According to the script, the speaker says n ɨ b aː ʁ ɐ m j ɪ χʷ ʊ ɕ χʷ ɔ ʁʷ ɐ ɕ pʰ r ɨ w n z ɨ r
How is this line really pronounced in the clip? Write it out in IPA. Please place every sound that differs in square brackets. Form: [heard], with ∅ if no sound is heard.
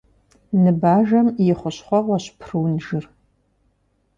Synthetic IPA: n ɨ b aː [ʒ] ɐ m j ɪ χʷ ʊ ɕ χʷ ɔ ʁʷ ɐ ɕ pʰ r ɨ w n [ʒ] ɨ r